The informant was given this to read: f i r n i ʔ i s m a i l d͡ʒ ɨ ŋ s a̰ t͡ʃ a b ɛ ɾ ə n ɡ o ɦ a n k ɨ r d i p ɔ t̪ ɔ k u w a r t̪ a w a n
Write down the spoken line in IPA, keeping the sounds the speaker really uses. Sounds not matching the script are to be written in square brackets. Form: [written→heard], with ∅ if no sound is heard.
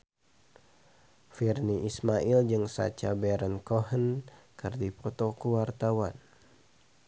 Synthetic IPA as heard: f i r n i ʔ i s m a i l d͡ʒ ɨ ŋ s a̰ t͡ʃ a b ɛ ɾ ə n [ɡ→k] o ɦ [a→ə] n k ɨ r d i p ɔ t̪ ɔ k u w a r t̪ a w a n